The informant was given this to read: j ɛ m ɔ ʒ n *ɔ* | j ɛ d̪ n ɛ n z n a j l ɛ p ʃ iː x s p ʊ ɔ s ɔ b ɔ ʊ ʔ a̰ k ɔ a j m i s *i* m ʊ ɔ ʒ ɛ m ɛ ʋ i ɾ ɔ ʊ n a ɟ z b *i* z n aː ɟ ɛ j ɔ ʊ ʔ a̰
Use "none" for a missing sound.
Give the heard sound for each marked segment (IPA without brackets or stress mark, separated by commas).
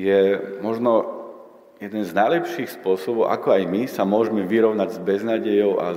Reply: ɔ, a, ɛ